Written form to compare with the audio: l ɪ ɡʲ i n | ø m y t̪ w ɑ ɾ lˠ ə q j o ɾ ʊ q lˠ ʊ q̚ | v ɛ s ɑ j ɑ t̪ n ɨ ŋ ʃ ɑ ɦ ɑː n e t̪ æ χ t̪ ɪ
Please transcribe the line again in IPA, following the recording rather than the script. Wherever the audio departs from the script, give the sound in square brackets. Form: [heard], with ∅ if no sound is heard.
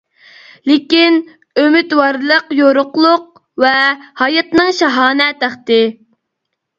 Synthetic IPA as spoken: l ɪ [kʲ] i n | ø m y t̪ w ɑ ɾ lˠ ə q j o ɾ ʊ q lˠ ʊ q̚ | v ɛ [h] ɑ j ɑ t̪ n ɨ ŋ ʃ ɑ ɦ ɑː n [ɛ] t̪ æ χ t̪ ɪ

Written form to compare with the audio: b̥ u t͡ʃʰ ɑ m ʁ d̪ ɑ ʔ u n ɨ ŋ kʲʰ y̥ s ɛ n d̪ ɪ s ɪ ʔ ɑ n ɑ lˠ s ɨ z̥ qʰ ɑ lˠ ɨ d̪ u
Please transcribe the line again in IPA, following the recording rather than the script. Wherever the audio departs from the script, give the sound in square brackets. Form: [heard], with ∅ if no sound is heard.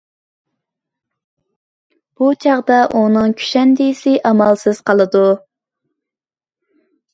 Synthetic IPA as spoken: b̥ u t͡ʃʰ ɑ [∅] ʁ d̪ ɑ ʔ u n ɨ ŋ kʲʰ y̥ [ʃ] ɛ n d̪ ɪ s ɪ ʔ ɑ [m] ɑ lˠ s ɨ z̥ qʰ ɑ lˠ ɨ d̪ u

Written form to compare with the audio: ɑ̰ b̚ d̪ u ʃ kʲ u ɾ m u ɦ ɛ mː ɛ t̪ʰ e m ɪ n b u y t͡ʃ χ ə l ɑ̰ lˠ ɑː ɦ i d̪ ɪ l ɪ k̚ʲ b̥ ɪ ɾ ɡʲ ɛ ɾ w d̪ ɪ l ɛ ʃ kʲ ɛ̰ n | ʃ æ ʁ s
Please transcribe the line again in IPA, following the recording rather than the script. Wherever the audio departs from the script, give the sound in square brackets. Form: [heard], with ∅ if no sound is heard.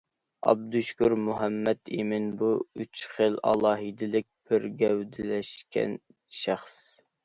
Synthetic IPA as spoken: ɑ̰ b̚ d̪ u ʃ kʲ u ɾ m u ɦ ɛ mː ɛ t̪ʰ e m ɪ n b u y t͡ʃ χ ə l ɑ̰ lˠ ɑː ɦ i d̪ ɪ l ɪ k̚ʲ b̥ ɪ ɾ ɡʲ ɛ [∅] w d̪ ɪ l ɛ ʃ kʲ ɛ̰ n | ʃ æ [χ] s

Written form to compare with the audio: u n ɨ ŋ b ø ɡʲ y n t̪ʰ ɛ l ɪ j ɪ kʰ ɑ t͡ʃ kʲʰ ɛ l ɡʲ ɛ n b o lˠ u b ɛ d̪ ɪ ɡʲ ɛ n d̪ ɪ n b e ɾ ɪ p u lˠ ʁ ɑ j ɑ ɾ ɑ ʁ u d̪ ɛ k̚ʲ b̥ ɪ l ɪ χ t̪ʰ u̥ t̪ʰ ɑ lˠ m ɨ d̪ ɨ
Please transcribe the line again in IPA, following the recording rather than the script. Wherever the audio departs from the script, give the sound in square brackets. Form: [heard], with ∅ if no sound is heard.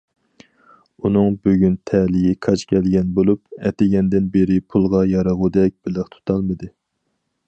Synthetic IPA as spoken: u n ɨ ŋ b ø ɡʲ y n t̪ʰ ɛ l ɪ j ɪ kʰ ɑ t͡ʃ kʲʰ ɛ l ɡʲ ɛ n b o lˠ u [p] ɛ [t̪] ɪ ɡʲ ɛ n d̪ ɪ n b e ɾ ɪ [pʰ] u lˠ ʁ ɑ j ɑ ɾ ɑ ʁ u d̪ ɛ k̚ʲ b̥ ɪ l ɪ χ t̪ʰ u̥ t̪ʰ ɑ lˠ m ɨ d̪ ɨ

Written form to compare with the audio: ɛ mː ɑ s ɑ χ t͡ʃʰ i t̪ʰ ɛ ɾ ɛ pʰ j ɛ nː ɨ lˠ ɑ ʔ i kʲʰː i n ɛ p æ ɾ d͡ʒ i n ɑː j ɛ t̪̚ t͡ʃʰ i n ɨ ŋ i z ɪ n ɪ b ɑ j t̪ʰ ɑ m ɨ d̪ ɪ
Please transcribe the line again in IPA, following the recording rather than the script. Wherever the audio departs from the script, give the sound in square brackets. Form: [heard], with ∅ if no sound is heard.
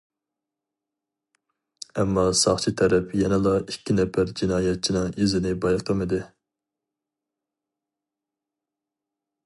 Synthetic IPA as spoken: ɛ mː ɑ s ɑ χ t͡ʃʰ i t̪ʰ ɛ ɾ ɛ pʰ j ɛ [n] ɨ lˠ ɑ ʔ i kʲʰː i n ɛ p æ ɾ d͡ʒ i n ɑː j ɛ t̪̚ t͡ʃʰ i n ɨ ŋ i z ɪ n ɪ b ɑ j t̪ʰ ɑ m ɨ d̪ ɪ

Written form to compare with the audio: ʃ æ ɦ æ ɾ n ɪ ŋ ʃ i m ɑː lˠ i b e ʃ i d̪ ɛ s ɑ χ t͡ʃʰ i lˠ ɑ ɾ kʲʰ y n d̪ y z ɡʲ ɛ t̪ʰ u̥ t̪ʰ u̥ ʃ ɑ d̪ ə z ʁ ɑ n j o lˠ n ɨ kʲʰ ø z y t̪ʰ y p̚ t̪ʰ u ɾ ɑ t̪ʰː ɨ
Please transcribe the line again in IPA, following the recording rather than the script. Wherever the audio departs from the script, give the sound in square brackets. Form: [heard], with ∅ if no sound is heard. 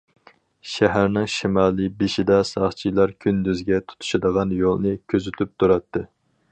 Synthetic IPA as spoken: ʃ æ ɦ æ ɾ n ɪ ŋ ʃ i m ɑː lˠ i b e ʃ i d̪ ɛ s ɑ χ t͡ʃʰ i lˠ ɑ ɾ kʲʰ y n d̪ y z ɡʲ ɛ t̪ʰ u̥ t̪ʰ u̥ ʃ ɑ d̪ ə [∅] ʁ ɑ n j o lˠ n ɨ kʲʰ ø z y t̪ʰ y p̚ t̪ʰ u ɾ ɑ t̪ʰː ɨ

